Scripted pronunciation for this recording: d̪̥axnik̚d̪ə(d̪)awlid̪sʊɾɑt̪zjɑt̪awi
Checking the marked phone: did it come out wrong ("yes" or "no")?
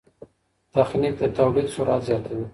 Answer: yes